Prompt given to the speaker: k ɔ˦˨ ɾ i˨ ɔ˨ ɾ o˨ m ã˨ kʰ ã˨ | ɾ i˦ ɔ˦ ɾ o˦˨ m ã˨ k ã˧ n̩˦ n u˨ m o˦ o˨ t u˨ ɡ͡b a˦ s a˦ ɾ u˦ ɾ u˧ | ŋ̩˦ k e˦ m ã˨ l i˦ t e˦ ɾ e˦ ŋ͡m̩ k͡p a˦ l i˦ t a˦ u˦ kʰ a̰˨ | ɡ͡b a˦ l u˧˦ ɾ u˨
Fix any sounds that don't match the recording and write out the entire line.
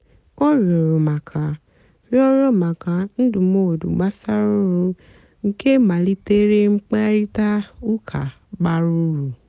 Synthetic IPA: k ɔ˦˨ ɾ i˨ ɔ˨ ɾ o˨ m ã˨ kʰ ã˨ | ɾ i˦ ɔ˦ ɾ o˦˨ m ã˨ k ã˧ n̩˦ d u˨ m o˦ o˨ d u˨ ɡ͡b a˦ s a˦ ɾ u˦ ɾ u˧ | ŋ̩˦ k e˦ m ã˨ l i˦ t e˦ ɾ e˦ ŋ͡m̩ k͡p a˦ ɾ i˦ t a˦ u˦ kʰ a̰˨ | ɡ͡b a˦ ɾ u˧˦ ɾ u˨